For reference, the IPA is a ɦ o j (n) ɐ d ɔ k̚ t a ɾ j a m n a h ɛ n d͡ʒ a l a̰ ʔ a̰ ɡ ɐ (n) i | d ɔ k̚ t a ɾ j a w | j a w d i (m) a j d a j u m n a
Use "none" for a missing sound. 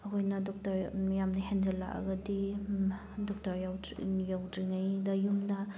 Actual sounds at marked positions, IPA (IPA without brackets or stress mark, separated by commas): n, d, ŋ